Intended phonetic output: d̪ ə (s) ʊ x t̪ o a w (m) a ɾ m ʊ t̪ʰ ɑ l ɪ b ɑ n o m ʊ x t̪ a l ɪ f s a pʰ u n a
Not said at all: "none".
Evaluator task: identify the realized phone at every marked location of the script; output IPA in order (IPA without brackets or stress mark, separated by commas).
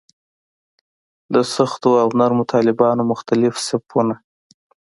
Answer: s, n